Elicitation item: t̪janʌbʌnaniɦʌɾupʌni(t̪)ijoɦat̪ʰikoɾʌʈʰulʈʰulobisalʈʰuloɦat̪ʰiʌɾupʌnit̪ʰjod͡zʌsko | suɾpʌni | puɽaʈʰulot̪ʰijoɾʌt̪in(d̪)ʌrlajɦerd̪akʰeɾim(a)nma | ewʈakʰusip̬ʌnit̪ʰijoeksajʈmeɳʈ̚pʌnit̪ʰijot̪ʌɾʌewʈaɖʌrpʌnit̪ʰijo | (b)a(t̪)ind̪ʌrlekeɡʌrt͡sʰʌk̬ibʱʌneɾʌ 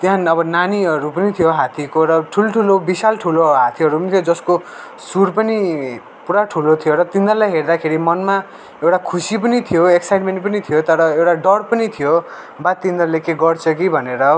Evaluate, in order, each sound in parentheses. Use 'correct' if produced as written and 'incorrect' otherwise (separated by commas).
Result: incorrect, correct, incorrect, correct, correct